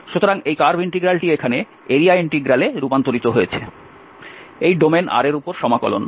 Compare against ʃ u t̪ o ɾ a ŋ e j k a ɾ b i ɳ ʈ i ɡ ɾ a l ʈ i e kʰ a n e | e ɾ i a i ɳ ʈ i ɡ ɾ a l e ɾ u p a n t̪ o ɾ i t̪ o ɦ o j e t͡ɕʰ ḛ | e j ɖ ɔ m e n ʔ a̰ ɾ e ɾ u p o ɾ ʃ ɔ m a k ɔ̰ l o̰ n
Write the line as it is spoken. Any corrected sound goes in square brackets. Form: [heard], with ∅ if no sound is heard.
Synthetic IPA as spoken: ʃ u t̪ o ɾ a ŋ e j k a ɾ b i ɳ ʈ i ɡ ɾ a l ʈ i e kʰ a n e | e ɾ i a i ɳ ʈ i ɡ ɾ a l e ɾ u p a n t̪ o ɾ i t̪ o ɦ o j e t͡ɕʰ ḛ | e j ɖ [o] m e n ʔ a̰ ɾ e ɾ u p o ɾ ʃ ɔ m a k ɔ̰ l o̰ n